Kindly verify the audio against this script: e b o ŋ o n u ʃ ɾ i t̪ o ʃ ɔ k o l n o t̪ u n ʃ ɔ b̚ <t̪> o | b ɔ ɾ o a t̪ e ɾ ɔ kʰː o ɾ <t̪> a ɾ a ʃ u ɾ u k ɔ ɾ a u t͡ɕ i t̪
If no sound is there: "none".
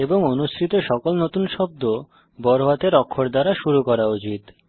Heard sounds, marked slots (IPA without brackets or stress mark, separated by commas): d̪, d̪